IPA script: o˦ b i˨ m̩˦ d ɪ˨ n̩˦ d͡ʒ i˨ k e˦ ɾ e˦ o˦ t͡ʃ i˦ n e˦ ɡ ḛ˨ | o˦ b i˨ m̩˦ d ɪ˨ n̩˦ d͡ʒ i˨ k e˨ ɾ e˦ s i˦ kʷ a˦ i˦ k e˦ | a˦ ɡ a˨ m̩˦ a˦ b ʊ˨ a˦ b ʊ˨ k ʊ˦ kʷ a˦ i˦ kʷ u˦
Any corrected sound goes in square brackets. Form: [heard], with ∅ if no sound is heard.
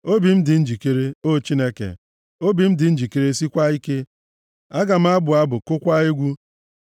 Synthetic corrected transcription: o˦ b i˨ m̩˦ d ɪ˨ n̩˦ d͡ʒ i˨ k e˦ ɾ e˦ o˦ t͡ʃ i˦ n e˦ [k] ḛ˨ | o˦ b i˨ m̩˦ d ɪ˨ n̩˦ d͡ʒ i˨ k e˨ ɾ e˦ s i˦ kʷ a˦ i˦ k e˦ | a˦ ɡ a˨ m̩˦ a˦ b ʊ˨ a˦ b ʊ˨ k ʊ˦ kʷ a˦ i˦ [ɡʷ] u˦